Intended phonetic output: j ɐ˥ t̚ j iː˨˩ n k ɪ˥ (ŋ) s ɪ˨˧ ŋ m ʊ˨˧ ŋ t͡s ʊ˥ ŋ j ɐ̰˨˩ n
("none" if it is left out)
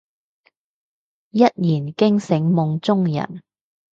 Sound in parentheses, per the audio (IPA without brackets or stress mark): ŋ